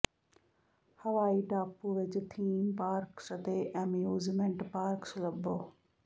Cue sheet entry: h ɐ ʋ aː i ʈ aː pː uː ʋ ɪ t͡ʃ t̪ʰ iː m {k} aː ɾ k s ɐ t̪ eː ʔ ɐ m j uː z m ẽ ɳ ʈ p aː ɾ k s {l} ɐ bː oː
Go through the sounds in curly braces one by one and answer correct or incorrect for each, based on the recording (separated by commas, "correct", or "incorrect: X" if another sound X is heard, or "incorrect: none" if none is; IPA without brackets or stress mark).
incorrect: p, correct